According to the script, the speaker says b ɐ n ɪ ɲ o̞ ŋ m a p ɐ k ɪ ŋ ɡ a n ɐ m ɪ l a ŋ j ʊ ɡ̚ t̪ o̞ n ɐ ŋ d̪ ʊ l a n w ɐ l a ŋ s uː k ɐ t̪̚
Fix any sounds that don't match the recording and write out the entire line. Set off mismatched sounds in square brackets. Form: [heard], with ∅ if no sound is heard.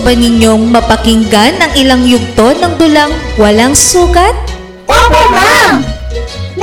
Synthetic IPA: b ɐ n ɪ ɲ o̞ ŋ m [ɐ] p ɐ k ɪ ŋ ɡ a n ɐ [ŋ] ɪ l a ŋ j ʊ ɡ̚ t̪ o̞ n ɐ ŋ d̪ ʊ l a [ŋ] w ɐ l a ŋ s uː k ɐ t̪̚